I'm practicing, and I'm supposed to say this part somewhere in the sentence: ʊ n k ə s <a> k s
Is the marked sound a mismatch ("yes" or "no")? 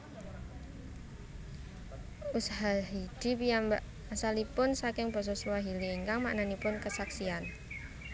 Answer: no